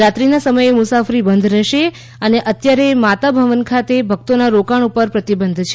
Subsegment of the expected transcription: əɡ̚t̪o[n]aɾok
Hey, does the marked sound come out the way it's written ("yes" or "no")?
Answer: yes